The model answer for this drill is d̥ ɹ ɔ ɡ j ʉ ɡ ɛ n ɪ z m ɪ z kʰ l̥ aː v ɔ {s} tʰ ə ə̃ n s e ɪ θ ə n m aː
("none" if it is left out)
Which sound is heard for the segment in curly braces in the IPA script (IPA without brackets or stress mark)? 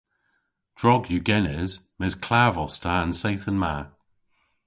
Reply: s